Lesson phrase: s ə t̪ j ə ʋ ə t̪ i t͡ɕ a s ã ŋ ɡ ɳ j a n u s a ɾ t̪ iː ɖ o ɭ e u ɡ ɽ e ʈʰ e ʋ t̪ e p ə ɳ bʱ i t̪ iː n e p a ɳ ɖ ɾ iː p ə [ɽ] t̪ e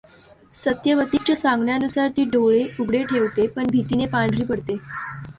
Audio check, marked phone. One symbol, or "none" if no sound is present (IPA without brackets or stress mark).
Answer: ɽ